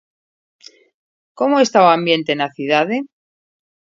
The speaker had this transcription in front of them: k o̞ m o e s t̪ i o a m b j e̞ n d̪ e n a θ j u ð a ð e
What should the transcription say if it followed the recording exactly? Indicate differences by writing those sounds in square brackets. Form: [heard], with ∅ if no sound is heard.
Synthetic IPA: k o̞ m o e s t̪ [a] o a m b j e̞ n [t̪] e n a θ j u ð a ð e